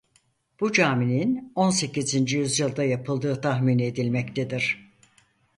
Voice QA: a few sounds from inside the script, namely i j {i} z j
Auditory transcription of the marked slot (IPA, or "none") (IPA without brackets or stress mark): y